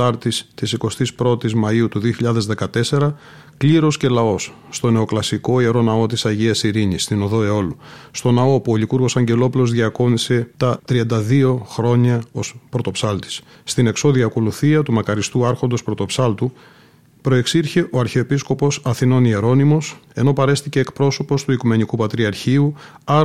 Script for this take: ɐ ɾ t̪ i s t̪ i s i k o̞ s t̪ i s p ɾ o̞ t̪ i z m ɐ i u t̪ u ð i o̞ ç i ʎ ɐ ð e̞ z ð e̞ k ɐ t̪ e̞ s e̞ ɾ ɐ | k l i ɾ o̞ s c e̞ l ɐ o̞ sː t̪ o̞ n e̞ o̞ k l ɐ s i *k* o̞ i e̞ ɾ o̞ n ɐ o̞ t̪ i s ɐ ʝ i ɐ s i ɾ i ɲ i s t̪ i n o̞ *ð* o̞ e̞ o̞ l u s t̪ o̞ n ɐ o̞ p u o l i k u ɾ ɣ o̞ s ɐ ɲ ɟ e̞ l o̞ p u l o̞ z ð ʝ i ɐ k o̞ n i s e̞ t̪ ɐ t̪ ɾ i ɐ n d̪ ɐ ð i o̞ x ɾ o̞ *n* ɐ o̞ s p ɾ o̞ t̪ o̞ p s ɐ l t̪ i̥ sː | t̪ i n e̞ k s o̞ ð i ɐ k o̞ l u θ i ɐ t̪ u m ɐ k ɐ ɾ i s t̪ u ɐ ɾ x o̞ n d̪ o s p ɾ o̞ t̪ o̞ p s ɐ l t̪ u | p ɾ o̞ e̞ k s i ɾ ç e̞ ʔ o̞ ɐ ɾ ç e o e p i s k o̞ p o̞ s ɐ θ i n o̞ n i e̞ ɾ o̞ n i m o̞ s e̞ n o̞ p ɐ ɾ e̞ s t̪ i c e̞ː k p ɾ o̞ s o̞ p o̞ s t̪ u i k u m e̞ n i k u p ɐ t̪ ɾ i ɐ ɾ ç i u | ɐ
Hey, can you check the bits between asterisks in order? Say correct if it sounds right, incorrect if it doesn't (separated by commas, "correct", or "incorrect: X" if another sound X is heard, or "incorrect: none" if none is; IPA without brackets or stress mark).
correct, correct, incorrect: ɲ